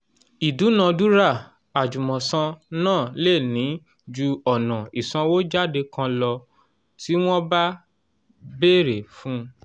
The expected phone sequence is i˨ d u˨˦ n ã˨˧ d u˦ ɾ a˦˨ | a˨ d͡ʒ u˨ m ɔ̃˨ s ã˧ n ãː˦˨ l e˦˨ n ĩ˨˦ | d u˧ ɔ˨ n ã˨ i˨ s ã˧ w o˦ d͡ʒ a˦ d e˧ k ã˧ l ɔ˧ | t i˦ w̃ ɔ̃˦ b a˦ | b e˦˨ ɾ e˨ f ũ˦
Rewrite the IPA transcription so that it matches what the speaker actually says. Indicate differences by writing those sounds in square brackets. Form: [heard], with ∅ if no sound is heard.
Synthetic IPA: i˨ d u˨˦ n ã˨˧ d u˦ ɾ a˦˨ | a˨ d͡ʒ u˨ m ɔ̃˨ s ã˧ n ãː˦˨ l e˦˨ n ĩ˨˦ | [d͡ʒ] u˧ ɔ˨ n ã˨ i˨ s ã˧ w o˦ d͡ʒ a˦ d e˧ k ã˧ l ɔ˧ | t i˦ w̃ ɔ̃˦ b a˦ | b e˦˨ ɾ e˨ f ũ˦